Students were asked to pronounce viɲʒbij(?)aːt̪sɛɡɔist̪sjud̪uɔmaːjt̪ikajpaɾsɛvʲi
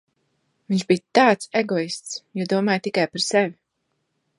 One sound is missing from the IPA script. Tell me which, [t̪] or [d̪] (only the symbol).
t̪